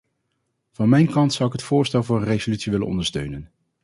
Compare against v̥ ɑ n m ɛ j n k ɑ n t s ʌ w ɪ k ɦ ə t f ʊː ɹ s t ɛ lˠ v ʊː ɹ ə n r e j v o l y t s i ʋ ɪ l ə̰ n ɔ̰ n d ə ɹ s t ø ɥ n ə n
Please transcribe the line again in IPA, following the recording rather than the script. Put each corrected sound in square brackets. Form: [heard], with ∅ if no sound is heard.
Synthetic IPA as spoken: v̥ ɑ n m ɛ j n k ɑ n t s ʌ w ɪ k ɦ ə t f ʊː ɹ s t ɛ lˠ v ʊː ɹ ə n r e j [z] o l y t s i ʋ ɪ l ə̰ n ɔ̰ n d ə ɹ s t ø ɥ n ə n